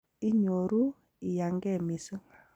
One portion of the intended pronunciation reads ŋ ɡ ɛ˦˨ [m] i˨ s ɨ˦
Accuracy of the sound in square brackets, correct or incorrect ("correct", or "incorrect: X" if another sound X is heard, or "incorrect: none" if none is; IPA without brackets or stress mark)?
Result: correct